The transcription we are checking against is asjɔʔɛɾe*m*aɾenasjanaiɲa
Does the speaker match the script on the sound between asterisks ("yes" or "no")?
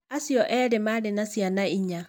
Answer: yes